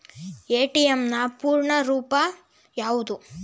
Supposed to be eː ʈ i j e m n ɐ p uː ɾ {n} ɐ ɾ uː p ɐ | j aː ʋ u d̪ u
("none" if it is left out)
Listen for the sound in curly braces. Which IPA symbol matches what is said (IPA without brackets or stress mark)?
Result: ɳ